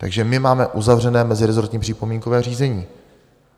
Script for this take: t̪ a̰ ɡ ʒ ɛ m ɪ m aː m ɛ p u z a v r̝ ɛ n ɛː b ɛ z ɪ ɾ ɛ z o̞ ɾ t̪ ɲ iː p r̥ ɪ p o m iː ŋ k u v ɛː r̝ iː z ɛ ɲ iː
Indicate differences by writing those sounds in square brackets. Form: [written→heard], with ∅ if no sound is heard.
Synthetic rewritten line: t̪ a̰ ɡ ʒ ɛ m ɪ m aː m ɛ [p→ʔ] u z a v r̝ ɛ n ɛː [b→m] ɛ z ɪ ɾ ɛ z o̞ ɾ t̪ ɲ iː p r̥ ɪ p o m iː ŋ k [u→o] v ɛː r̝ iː z ɛ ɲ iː